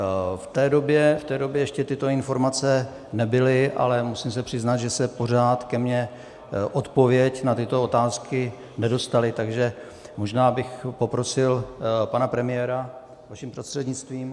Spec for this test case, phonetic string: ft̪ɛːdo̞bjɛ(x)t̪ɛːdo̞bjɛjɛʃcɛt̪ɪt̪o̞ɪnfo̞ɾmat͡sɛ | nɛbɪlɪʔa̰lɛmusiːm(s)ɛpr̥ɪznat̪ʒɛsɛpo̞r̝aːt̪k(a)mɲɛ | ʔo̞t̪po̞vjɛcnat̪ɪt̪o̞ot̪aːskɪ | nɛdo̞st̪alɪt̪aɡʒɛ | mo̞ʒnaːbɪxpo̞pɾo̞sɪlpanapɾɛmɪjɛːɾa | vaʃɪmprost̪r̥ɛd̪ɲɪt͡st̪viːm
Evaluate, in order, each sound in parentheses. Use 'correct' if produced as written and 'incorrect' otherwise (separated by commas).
incorrect, correct, incorrect